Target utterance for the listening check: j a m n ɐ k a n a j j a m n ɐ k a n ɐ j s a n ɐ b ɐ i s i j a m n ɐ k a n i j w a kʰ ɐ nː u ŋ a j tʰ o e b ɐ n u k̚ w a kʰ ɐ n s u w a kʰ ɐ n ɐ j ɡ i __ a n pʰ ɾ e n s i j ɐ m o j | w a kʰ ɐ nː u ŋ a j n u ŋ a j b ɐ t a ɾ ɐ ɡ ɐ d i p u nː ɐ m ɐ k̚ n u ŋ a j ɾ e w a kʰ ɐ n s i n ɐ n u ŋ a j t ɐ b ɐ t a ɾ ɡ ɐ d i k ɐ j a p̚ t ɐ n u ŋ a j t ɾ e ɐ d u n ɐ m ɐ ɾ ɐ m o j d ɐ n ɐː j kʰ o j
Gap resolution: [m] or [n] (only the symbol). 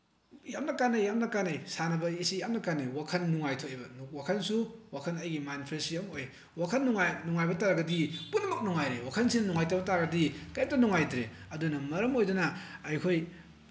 m